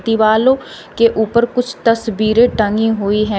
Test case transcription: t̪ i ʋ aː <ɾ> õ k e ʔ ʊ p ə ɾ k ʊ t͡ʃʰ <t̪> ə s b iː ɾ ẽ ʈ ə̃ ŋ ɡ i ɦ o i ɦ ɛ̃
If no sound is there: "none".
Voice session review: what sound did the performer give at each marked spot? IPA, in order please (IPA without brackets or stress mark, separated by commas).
l, t̪